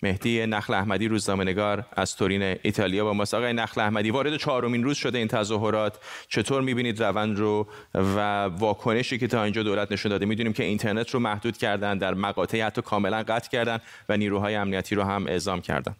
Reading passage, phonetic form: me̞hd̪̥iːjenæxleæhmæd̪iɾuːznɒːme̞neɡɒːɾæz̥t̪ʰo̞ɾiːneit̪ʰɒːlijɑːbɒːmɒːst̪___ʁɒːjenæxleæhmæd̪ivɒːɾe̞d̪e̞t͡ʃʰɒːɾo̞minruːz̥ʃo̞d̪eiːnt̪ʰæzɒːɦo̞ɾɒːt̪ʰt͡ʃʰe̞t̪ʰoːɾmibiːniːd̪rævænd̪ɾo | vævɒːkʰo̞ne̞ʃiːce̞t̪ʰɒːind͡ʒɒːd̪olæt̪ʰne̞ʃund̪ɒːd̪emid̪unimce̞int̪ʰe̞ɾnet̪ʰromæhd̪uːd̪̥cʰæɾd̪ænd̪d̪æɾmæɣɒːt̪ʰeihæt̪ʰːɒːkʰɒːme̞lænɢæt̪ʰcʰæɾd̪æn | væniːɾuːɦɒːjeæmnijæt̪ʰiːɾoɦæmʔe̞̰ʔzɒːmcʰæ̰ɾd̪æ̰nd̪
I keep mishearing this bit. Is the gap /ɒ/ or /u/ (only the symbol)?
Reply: ɒ